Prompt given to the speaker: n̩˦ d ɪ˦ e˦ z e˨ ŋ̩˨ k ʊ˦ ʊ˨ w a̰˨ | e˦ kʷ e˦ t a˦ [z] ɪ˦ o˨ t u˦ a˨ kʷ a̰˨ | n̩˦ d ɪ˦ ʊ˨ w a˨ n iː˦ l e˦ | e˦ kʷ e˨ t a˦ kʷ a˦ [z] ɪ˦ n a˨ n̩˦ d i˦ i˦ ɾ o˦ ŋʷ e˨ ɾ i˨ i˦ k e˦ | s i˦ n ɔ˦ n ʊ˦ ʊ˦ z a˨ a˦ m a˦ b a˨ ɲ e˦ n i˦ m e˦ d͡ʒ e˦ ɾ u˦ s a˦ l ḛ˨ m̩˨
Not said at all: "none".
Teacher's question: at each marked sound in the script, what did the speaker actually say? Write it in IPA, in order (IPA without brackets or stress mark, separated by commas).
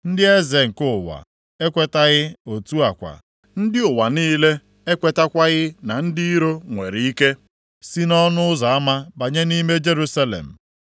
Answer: ɣ, ɣ